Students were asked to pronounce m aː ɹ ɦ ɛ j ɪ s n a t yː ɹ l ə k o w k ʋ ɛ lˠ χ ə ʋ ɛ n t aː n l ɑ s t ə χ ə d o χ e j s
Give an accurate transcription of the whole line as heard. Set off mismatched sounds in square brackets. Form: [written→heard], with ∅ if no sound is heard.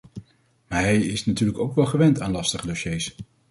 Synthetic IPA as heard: m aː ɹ ɦ ɛ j ɪ s n a t yː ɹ l ə k o w k ʋ ɛ lˠ χ ə ʋ ɛ n t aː n l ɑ s t ə χ ə d o [χ→ʃ] e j s